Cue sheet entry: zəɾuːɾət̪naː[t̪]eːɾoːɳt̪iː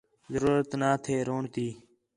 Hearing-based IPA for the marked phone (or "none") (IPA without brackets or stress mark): t̪ʰ